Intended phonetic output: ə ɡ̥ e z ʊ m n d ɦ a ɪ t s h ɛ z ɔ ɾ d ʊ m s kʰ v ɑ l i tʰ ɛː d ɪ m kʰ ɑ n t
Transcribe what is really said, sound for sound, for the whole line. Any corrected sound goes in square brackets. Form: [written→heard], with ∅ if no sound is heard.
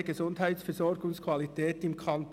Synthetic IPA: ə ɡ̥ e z ʊ [m→∅] n d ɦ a ɪ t s [h→f] ɛ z ɔ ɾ [d→ɡ] ʊ [m→ŋ] s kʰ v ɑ l i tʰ ɛː [d→t] ɪ m kʰ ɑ n t